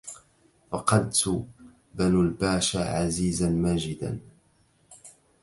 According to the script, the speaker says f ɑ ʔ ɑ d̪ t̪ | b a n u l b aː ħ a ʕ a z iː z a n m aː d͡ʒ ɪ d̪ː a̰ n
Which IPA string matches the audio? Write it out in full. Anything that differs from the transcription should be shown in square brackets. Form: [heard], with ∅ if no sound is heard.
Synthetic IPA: f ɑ [q] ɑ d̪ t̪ | b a n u l b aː [ʃ] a ʕ a z iː z a n m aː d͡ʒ ɪ [d̪] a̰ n